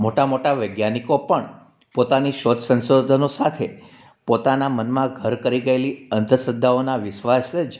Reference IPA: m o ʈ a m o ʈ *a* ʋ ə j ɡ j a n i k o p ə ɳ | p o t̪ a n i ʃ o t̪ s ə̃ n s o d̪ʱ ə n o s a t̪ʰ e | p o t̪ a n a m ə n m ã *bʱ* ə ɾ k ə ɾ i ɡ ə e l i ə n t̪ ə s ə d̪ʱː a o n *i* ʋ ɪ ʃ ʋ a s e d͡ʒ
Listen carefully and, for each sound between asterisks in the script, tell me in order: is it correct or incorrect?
correct, incorrect: ɡʱ, incorrect: a

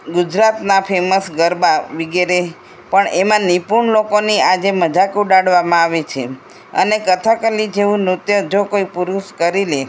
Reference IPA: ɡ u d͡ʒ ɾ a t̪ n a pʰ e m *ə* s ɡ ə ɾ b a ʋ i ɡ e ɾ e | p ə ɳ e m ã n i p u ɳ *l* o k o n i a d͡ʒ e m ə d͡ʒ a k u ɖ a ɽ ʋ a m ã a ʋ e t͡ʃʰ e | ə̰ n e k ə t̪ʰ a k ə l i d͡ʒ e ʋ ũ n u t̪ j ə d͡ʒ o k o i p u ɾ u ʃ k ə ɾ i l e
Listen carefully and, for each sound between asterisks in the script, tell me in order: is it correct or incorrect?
correct, correct

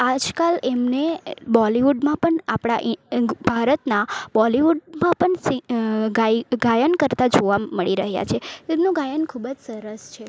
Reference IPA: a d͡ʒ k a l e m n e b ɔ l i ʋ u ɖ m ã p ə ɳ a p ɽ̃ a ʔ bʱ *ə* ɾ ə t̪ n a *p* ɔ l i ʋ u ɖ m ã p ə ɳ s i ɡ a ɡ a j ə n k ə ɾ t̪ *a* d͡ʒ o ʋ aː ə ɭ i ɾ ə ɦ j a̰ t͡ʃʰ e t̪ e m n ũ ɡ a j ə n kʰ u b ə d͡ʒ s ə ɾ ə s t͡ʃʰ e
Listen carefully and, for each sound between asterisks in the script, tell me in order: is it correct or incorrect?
incorrect: a, incorrect: b, correct

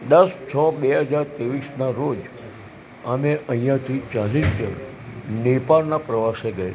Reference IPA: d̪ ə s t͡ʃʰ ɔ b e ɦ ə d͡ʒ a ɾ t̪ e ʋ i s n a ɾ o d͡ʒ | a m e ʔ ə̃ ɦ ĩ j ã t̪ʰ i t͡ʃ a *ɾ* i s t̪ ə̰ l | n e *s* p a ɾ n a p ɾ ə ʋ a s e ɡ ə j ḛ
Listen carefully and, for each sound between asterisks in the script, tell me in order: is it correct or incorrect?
incorrect: l, incorrect: none

